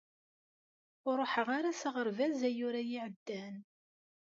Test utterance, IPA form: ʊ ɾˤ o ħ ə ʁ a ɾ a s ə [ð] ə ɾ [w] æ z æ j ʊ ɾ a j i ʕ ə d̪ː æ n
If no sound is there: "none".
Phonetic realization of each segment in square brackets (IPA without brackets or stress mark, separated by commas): ʁ, v